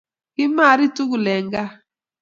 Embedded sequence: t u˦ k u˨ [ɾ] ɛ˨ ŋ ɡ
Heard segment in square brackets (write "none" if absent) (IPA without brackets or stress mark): l